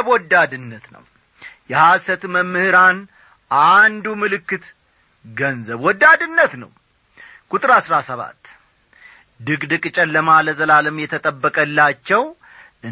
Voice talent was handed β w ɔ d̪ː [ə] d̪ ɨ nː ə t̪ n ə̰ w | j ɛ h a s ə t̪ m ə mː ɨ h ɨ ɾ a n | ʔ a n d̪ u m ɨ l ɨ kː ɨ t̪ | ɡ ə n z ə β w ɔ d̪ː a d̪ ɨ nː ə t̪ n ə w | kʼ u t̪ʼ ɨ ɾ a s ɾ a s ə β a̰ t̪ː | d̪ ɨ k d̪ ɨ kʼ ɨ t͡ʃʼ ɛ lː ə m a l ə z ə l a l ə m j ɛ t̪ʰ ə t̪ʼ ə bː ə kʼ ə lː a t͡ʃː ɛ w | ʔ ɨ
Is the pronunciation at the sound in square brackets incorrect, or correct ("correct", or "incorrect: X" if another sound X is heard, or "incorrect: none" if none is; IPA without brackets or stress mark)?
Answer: incorrect: a